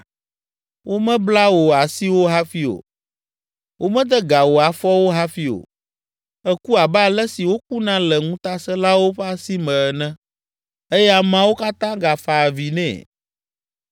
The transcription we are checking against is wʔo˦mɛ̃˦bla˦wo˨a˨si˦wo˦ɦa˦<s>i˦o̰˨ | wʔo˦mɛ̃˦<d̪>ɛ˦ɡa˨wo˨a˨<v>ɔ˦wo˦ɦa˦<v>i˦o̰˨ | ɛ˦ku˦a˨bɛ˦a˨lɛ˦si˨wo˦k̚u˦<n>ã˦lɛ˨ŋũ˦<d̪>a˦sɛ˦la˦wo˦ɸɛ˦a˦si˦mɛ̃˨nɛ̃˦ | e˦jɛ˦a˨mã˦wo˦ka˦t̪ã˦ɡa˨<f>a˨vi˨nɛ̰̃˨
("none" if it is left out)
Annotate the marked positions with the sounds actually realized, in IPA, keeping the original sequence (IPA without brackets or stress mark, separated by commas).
f, d̪, f, f, n, t̪, f